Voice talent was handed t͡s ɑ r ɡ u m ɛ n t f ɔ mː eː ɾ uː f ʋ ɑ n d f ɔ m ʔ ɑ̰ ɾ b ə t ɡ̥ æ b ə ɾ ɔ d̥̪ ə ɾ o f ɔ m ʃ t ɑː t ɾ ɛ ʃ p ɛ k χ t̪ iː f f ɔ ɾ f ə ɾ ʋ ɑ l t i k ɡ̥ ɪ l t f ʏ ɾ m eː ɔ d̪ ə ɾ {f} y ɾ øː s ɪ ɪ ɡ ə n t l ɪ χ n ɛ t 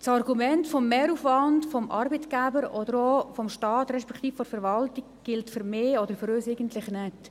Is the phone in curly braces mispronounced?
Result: no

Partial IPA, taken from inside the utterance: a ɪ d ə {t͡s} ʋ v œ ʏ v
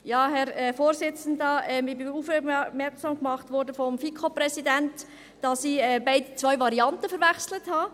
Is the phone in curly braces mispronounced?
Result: no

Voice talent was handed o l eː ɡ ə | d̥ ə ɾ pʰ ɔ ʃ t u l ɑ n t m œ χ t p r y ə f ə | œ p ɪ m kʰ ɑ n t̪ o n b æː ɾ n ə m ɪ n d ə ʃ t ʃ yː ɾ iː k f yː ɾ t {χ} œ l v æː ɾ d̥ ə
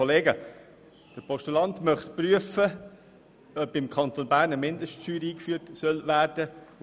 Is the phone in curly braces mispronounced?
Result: yes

